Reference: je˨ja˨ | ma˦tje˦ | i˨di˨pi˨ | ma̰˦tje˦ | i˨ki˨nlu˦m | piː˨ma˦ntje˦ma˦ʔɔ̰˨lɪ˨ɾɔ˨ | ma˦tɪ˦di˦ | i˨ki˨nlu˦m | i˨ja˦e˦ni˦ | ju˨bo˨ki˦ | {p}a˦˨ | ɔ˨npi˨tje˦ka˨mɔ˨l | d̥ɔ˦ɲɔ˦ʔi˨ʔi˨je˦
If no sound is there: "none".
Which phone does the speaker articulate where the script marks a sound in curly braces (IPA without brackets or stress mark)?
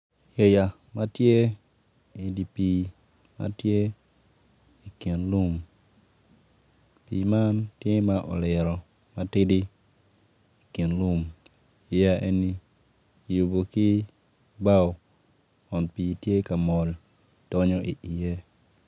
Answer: b